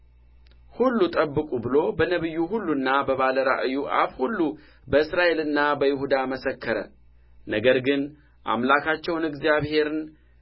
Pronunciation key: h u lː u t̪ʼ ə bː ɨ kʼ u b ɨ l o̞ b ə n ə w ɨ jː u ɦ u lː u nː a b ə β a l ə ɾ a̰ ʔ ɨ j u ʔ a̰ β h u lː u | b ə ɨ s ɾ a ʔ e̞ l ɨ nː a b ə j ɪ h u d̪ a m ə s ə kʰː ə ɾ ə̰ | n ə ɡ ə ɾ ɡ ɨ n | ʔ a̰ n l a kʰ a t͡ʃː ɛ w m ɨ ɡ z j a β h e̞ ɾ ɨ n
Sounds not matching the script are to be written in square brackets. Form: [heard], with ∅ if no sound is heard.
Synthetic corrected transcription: h u lː u t̪ʼ ə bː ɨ kʼ u b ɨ l o̞ b ə n ə [β] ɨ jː u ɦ u lː u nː a b ə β a l ə ɾ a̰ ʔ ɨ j u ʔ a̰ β h u lː u | b ə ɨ s ɾ a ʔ e̞ l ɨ nː a b ə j ɪ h u d̪ a m ə s ə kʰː ə ɾ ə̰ | n ə ɡ ə ɾ ɡ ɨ n | ʔ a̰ [m] l a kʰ a t͡ʃː ɛ w [n] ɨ ɡ z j a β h e̞ ɾ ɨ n